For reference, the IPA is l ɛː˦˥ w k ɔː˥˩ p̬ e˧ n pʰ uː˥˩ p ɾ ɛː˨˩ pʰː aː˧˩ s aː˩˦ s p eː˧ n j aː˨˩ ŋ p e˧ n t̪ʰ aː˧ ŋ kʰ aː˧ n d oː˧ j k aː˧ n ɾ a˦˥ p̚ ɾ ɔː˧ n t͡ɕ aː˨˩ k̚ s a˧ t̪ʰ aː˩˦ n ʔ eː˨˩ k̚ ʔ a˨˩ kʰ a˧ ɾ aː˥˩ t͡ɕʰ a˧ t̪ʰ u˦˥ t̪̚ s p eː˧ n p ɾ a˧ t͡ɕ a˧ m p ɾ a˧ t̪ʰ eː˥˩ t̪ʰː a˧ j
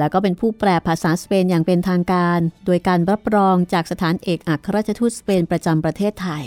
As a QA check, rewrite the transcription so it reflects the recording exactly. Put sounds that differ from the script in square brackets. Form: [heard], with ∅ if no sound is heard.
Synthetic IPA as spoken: l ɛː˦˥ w k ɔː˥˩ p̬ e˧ n pʰ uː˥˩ p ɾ ɛː˨˩ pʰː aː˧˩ s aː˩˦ s p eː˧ n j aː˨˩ ŋ p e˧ n t̪ʰ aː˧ ŋ [k] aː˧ n d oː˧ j k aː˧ n ɾ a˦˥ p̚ ɾ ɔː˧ [ŋ] t͡ɕ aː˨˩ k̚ s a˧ t̪ʰ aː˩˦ n ʔ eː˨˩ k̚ ʔ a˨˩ kʰ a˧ ɾ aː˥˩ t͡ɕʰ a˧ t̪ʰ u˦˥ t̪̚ s p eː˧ n p ɾ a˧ t͡ɕ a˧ m p ɾ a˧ t̪ʰ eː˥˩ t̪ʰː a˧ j